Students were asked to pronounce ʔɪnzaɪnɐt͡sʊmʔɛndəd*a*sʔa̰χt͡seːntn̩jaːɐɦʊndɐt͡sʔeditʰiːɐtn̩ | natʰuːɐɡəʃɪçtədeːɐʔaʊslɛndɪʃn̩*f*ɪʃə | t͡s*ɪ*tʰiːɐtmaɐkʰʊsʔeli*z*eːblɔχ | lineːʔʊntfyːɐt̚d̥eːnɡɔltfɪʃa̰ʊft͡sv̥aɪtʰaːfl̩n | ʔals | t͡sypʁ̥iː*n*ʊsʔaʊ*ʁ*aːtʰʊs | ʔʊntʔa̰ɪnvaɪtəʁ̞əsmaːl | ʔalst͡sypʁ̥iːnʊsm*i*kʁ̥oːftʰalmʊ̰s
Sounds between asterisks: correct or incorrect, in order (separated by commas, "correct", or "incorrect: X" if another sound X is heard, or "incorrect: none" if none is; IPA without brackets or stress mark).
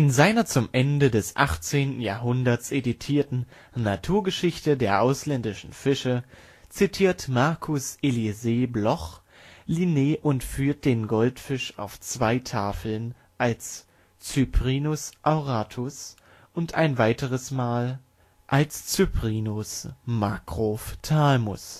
incorrect: ɛ, correct, incorrect: i, correct, correct, correct, incorrect: a